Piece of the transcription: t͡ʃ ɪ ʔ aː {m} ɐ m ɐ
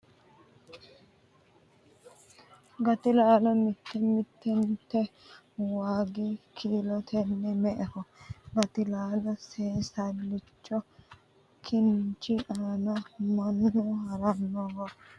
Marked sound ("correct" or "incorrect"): incorrect